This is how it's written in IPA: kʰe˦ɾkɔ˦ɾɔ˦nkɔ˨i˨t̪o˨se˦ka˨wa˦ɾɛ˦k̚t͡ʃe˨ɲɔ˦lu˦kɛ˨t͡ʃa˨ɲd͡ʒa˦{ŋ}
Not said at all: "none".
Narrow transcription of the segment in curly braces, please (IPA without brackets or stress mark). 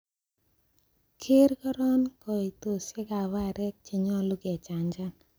n